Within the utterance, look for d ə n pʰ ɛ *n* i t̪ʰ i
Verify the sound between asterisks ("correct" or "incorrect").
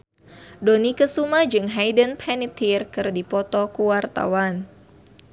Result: correct